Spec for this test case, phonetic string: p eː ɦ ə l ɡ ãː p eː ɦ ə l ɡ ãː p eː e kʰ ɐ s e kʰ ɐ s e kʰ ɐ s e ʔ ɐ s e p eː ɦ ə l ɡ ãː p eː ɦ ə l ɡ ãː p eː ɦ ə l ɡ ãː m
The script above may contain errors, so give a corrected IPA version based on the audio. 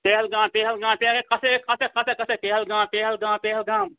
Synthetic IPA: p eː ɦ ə l ɡ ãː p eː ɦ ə l ɡ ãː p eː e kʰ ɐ s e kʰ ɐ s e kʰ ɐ s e k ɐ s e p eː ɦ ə l ɡ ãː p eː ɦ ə l ɡ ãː p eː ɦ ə l ɡ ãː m